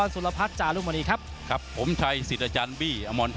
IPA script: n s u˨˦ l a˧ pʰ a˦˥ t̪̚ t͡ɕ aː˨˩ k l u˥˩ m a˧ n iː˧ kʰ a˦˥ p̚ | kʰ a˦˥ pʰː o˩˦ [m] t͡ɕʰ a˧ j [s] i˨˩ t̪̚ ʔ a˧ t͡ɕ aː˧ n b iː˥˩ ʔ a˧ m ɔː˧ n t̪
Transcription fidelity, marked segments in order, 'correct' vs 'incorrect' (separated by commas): correct, correct